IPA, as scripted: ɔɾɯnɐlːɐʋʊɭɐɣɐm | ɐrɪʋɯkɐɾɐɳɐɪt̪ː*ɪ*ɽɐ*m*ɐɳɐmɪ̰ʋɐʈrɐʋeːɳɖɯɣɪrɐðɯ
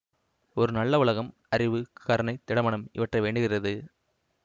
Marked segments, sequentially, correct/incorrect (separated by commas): correct, correct